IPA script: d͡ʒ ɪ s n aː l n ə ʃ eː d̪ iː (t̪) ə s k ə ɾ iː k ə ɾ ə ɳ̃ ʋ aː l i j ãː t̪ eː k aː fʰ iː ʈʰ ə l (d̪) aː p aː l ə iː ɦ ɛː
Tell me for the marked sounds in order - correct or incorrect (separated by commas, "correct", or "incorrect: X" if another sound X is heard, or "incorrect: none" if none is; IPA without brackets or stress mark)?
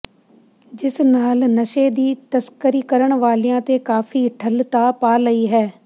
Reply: correct, incorrect: t̪